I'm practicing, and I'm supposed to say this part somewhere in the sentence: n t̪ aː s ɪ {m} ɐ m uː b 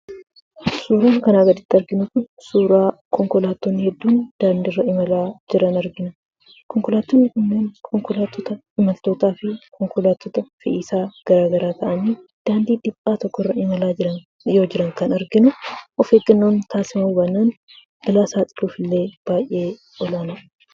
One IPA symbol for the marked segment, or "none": m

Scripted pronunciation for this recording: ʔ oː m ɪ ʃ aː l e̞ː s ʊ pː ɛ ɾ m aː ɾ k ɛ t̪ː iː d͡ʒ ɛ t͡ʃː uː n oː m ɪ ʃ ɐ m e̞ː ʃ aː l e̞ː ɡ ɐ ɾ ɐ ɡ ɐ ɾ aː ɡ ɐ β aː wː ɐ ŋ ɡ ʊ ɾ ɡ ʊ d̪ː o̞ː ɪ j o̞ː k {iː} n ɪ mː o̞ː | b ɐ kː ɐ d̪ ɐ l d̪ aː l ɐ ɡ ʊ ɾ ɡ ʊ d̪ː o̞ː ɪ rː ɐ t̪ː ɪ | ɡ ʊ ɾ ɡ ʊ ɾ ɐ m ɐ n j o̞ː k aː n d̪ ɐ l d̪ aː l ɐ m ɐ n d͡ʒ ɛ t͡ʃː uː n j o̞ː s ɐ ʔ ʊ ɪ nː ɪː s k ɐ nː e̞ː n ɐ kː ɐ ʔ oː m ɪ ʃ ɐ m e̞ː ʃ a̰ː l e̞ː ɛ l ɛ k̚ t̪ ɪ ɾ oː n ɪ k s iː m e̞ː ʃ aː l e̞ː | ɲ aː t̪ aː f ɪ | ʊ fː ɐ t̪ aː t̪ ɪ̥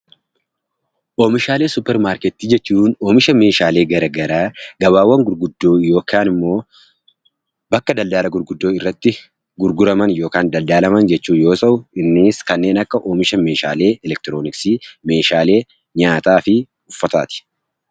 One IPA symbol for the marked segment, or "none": aː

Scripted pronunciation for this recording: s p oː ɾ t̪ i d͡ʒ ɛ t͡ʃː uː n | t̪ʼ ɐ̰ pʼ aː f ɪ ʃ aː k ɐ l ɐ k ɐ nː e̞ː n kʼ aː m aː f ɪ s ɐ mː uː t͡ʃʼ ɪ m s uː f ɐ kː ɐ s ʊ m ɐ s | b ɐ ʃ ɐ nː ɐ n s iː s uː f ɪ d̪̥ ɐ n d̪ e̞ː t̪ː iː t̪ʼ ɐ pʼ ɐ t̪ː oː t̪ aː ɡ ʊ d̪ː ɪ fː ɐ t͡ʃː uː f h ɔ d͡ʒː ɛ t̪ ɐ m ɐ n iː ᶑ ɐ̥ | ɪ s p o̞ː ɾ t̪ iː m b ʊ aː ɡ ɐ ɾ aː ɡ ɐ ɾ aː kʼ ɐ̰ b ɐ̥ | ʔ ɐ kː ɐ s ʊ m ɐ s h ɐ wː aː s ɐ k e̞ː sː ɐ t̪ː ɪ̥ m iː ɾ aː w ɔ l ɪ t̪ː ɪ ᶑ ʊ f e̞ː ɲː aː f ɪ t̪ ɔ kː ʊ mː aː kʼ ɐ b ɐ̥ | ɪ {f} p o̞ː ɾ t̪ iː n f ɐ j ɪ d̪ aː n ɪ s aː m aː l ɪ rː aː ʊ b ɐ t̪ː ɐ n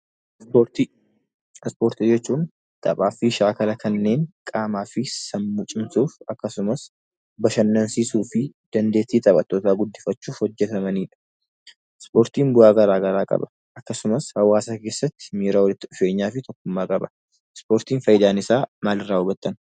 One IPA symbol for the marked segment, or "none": s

